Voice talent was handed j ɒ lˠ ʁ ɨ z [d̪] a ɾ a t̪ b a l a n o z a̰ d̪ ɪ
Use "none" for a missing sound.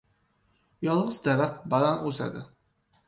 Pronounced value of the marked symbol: d̪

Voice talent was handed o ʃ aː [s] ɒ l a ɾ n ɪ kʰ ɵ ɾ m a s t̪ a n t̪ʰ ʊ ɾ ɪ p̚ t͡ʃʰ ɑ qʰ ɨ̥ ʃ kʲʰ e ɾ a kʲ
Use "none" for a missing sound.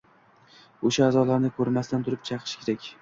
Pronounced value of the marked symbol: z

